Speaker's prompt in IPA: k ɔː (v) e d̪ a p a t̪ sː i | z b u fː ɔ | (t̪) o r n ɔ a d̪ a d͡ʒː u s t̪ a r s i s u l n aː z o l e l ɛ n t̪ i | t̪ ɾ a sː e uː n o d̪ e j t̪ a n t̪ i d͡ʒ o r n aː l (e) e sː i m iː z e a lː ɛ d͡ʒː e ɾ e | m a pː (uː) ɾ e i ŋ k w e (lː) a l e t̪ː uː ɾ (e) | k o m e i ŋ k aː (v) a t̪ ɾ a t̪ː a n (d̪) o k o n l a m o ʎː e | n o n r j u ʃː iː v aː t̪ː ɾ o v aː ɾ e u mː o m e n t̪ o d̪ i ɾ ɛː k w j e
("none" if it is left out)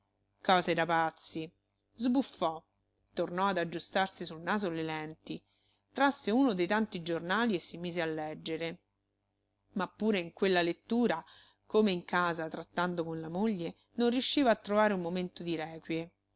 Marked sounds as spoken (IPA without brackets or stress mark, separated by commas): z, t̪, i, uː, lː, a, z, d̪